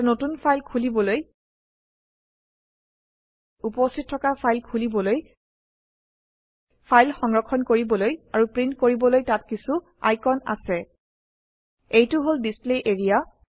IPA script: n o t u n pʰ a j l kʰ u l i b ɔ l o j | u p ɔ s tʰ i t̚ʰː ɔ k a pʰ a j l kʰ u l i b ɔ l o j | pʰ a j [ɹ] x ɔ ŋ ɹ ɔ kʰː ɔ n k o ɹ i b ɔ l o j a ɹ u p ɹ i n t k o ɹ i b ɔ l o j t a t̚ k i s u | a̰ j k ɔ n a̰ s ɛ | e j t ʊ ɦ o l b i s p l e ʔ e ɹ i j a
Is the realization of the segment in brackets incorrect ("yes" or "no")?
yes